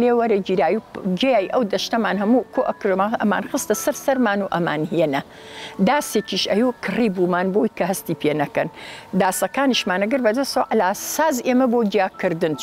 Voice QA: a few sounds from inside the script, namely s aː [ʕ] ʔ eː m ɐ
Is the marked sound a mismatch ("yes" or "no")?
yes